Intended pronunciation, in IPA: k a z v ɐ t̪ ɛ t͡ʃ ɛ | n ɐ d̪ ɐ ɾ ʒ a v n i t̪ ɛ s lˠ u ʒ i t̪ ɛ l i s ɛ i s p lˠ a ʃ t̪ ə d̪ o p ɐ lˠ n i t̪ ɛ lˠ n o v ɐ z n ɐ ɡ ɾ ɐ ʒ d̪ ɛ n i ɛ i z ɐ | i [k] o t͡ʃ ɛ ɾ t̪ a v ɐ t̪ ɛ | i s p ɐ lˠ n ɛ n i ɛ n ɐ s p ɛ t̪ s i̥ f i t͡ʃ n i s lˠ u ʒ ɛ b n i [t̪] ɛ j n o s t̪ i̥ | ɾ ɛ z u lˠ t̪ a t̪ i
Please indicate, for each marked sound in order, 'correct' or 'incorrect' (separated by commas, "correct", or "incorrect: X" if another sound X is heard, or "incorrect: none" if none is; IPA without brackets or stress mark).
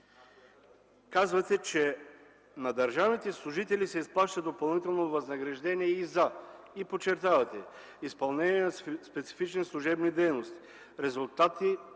incorrect: p, incorrect: d̪